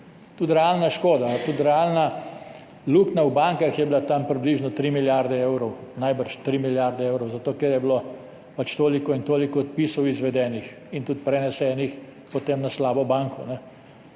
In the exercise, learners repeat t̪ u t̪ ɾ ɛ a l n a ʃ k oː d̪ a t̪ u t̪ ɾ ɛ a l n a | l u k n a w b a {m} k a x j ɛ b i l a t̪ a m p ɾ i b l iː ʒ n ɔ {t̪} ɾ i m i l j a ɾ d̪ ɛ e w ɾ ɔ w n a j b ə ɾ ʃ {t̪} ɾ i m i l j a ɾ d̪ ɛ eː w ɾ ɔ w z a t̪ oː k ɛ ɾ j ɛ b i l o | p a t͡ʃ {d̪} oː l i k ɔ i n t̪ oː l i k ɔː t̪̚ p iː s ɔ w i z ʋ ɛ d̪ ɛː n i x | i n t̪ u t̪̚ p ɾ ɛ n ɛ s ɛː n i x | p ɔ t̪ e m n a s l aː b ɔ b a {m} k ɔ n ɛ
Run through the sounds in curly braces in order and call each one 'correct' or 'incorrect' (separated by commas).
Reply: incorrect, correct, correct, incorrect, incorrect